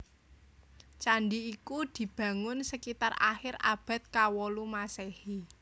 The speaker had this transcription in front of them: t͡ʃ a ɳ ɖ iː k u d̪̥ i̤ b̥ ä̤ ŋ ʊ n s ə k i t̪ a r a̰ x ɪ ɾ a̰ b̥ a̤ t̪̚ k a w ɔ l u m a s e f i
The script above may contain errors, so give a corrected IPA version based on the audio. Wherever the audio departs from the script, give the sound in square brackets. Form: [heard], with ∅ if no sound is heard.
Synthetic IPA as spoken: t͡ʃ a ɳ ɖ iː k u d̪̥ i̤ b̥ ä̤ ŋ ʊ n s ə k i t̪ a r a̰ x ɪ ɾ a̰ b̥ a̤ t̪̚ k a w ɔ l u m a s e [h] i